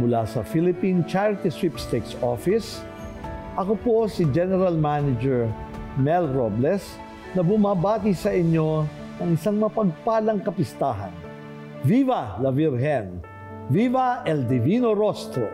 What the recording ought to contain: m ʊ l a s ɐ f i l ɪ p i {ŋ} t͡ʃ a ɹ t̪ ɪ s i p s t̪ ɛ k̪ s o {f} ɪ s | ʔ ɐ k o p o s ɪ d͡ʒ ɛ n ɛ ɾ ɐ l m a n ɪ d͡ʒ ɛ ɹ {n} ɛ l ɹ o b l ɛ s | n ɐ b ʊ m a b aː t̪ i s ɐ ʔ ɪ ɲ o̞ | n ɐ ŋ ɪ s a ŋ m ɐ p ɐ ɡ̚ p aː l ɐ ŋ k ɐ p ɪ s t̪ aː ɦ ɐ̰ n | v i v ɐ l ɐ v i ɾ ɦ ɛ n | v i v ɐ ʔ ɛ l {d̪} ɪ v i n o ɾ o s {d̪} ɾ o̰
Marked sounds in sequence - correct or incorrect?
incorrect, correct, incorrect, correct, incorrect

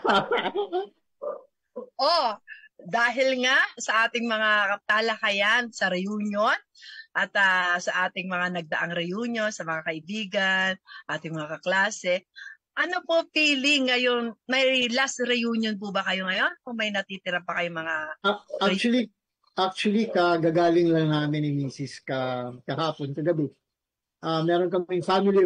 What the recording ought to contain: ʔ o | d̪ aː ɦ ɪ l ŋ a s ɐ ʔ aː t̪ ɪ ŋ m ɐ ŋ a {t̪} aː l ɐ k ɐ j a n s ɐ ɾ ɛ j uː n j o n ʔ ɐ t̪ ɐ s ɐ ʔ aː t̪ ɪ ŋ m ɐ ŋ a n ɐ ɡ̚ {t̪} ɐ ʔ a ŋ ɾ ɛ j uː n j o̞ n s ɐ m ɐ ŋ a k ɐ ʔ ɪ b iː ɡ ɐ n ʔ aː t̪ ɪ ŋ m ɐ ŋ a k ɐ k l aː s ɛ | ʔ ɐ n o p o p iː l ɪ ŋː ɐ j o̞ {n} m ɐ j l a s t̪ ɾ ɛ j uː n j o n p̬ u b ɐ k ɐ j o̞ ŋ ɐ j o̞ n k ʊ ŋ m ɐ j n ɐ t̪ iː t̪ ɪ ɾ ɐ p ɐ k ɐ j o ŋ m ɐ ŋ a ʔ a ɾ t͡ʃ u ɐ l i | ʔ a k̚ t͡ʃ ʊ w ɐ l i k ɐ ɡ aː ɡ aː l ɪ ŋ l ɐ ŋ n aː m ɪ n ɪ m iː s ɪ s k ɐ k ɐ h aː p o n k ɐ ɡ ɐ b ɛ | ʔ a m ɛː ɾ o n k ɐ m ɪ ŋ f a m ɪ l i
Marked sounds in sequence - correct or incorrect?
correct, incorrect, correct

